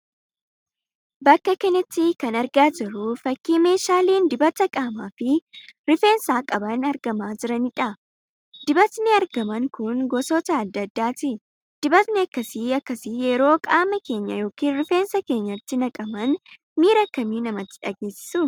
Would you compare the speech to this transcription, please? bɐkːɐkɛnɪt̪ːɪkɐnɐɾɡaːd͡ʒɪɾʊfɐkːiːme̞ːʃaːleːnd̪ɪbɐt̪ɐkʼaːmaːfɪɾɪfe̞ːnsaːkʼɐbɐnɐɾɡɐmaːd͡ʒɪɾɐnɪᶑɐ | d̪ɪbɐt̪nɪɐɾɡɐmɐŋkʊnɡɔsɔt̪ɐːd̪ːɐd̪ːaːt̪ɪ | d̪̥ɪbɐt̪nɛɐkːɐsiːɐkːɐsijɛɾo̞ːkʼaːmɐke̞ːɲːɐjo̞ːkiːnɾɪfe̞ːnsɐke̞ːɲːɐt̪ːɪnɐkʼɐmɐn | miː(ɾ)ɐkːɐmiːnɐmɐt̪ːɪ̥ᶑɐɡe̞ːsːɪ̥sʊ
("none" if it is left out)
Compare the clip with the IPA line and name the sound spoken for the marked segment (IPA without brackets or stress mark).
ɾ